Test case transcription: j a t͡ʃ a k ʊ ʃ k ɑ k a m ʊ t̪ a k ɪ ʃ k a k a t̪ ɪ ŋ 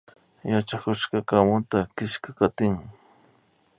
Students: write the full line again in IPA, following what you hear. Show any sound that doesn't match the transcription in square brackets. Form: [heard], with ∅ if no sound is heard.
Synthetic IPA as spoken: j a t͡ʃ a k ʊ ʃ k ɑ k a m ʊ t̪ a k ɪ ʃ k a k a t̪ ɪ ŋ